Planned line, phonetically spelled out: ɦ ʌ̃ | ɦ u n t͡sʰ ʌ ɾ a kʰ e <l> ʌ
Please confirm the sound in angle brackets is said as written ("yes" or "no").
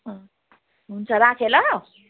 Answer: yes